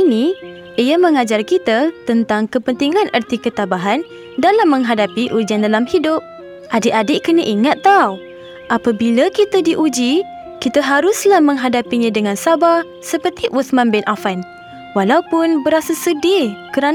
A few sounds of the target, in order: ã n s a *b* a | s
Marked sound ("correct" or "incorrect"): correct